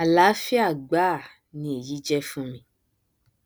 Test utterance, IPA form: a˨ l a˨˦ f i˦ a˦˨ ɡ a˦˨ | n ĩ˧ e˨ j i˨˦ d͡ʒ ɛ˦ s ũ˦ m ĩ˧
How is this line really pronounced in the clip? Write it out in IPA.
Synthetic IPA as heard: a˨ l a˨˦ f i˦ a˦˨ ɡ͡b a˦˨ | n ĩ˧ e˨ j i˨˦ d͡ʒ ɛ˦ f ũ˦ m ĩ˧